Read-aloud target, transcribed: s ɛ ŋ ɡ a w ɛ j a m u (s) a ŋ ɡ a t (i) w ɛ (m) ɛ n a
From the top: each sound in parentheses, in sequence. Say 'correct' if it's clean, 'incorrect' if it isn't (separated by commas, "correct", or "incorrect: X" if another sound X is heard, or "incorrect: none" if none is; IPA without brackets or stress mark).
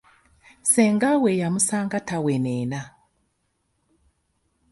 correct, incorrect: a, incorrect: n